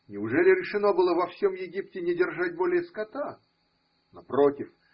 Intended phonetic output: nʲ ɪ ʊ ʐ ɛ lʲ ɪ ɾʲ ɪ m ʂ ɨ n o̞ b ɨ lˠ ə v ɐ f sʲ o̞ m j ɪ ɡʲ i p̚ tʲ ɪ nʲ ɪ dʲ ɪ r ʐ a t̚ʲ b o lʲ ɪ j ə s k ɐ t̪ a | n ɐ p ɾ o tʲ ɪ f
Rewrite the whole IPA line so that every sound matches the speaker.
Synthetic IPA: nʲ ɪ ʊ ʐ ɛ lʲ ɪ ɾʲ ɪ ʂ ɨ n o̞ b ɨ lˠ ə v ɐ f sʲ o̞ m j ɪ ɡʲ i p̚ tʲ ɪ nʲ ɪ dʲ ɪ r ʐ a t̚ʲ b o lʲ ɪ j ə s k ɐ t̪ a | n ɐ p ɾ o tʲ ɪ f

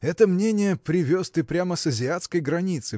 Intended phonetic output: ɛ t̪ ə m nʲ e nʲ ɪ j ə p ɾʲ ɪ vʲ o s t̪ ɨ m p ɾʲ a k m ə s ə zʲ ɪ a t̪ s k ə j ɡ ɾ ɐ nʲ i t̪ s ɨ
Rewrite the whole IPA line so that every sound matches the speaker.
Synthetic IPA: ɛ t̪ ə m nʲ e nʲ ɪ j ə p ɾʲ ɪ vʲ o s t̪ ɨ p ɾʲ a m ə s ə zʲ ɪ a t̪ s k ə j ɡ ɾ ɐ nʲ i t̪ s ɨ

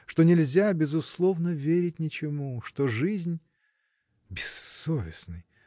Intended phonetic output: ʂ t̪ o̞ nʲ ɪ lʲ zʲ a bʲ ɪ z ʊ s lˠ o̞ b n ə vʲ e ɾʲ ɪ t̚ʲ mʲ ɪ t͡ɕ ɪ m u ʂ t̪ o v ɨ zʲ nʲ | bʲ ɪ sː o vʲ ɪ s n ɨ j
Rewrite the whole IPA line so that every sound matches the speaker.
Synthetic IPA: ʂ t̪ o̞ nʲ ɪ lʲ zʲ a bʲ ɪ z ʊ s lˠ o̞ v n ə vʲ e ɾʲ ɪ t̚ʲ nʲ ɪ t͡ɕ ɪ m u ʂ t̪ o ʐ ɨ zʲ nʲ | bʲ ɪ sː o vʲ ɪ s n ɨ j

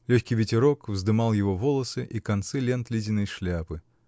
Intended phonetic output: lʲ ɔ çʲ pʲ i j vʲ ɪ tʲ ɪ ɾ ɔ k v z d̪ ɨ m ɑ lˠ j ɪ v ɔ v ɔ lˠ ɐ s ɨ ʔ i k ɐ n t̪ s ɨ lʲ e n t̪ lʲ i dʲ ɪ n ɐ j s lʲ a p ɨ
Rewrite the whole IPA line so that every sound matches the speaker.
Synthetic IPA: lʲ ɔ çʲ kʲ i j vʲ ɪ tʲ ɪ ɾ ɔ k v z d̪ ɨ m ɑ lˠ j ɪ v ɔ v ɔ lˠ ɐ s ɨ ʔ i k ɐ n t̪ s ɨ lʲ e n t̪ lʲ i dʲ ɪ n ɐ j ʂ lʲ a p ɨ

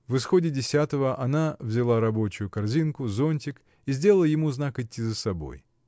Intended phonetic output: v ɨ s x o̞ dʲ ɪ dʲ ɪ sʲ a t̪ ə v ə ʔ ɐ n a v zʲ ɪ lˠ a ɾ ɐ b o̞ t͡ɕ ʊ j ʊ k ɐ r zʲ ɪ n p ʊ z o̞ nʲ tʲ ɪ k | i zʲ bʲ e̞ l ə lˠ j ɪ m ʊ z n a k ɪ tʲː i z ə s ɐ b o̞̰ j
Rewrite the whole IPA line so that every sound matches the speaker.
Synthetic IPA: v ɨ s x o̞ dʲ ɪ dʲ ɪ sʲ a t̪ ə v ə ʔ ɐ n a v zʲ ɪ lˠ a ɾ ɐ b o̞ t͡ɕ ʊ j ʊ k ɐ r zʲ i n k ʊ z o̞ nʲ tʲ ɪ k | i zʲ dʲ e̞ l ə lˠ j ɪ m u z n a k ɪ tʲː i z ə s ɐ b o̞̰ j

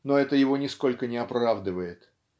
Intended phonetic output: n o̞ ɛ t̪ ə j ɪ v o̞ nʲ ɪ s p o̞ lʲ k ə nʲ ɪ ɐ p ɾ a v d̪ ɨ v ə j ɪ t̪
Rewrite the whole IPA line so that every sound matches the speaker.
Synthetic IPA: n o̞ ɛ t̪ ə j ɪ v o̞ nʲ ɪ s k o̞ lʲ k ə nʲ ɪ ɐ p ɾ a v d̪ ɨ v ə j ɪ t̪

